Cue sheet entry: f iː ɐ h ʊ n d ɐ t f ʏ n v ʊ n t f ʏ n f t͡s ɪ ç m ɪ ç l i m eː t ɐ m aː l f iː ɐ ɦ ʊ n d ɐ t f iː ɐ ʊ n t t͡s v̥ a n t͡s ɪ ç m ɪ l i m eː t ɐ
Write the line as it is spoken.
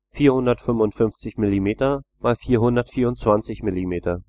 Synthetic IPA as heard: f iː ɐ h ʊ n d ɐ t f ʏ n v ʊ n t f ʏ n f t͡s ɪ ç m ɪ l i m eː t ɐ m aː l f iː ɐ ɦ ʊ n d ɐ t f iː ɐ ʊ n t t͡s v̥ a n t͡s ɪ ç m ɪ l i m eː t ɐ